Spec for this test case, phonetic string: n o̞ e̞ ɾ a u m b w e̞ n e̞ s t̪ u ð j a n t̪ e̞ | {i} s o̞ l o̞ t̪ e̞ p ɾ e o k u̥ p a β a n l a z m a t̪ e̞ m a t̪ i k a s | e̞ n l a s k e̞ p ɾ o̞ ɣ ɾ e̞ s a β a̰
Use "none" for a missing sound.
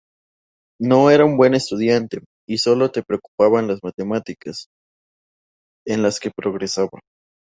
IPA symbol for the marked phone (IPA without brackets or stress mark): i